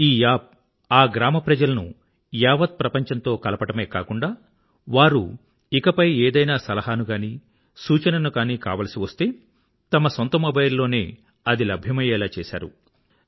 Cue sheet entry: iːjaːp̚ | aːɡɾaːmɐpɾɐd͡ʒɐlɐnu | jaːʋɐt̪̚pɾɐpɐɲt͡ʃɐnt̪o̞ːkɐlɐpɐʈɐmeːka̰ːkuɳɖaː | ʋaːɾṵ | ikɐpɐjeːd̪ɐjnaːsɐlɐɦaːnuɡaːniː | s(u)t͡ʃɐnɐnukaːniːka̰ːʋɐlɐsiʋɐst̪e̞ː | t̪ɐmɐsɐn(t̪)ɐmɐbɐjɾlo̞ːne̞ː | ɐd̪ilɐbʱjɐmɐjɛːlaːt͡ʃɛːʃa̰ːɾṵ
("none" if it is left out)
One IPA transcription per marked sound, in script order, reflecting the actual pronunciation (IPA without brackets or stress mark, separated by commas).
uː, t̪